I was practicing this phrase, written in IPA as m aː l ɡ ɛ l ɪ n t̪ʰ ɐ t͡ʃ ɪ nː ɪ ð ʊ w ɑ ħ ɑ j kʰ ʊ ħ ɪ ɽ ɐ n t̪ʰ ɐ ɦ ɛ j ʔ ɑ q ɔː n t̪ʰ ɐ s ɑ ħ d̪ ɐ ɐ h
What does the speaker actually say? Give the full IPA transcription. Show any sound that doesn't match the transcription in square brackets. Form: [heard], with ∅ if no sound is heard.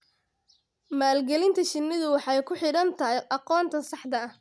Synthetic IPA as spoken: m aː l ɡ ɛ l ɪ n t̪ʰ ɐ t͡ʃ ɪ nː ɪ ð ʊ w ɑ ħ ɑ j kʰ ʊ ħ ɪ ɽ ɐ n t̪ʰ ɐ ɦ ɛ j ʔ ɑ q ɔː n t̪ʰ ɐ s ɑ ħ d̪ ɐ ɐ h